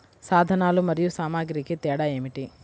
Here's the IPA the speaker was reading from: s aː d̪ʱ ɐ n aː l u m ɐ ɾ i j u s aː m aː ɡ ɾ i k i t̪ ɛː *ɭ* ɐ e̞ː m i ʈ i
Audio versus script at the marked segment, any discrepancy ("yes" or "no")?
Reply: yes